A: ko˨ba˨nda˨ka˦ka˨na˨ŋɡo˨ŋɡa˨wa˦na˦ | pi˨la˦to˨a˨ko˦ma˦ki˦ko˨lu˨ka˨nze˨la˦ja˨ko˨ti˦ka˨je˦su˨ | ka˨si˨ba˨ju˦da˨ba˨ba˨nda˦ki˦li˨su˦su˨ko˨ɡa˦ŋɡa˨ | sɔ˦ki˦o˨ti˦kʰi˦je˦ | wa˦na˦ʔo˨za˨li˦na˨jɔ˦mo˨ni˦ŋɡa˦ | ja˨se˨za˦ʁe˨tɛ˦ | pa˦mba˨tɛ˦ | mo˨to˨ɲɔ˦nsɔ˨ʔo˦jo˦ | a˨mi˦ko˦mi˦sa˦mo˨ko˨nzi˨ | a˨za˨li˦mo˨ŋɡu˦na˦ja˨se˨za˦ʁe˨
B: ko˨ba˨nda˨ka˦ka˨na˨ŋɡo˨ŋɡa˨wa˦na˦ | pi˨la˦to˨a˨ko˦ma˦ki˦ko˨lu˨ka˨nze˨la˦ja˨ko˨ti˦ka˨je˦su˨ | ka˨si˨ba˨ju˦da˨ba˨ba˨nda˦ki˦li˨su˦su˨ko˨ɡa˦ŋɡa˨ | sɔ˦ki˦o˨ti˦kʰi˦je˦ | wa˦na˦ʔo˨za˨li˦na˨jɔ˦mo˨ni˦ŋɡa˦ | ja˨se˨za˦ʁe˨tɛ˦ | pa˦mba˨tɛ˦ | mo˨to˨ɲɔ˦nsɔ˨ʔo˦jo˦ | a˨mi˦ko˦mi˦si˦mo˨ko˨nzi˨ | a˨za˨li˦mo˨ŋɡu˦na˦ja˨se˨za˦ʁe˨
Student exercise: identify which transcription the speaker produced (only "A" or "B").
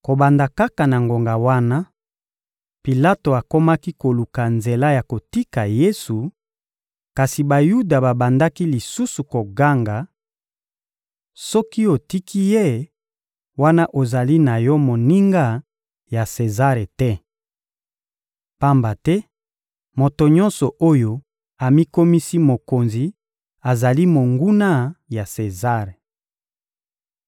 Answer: B